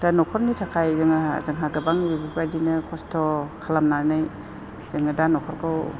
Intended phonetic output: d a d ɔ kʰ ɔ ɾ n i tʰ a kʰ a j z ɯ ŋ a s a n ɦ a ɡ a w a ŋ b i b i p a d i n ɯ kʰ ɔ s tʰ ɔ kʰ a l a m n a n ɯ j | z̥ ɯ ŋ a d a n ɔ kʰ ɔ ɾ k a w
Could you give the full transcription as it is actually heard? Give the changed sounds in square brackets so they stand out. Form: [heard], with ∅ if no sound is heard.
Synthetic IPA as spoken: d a [n] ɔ kʰ ɔ ɾ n i tʰ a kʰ a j z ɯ ŋ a [z] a [ŋ] ɦ a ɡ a [b] a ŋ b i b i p a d i n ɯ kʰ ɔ s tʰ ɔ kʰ a l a m n a n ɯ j | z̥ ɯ ŋ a d a n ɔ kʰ ɔ ɾ k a w